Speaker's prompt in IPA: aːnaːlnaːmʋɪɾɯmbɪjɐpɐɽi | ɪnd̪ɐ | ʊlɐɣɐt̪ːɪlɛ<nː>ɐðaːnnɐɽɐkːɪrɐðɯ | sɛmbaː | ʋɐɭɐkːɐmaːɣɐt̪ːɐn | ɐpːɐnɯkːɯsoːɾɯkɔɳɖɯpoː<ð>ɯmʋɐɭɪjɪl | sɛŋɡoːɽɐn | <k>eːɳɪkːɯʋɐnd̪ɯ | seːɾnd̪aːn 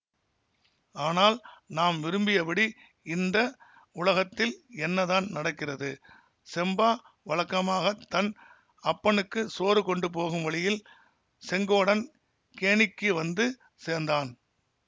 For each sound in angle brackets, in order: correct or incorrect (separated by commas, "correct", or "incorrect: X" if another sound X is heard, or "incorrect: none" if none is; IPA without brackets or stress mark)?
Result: correct, incorrect: ɣ, correct